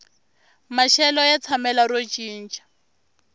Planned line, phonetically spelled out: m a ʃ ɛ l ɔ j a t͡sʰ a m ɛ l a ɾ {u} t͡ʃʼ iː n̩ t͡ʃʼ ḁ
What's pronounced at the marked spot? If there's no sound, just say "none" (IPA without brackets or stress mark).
o